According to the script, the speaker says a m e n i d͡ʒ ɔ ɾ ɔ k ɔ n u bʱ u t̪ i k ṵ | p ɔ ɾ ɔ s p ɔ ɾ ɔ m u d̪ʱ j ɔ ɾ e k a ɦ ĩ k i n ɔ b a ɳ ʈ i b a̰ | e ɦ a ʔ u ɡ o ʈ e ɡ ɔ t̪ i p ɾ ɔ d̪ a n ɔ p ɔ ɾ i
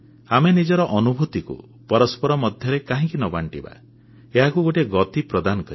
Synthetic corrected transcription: a m e n i d͡ʒ ɔ ɾ ɔ ʔ ɔ n u bʱ u t̪ i k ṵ | p ɔ ɾ ɔ s p ɔ ɾ ɔ m ɔ d̪ʱ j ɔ ɾ e k a ɦ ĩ k i n ɔ b a ɳ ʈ i b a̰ | e ɦ a k u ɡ o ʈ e ɡ ɔ t̪ i p ɾ ɔ d̪ a n ɔ k ɔ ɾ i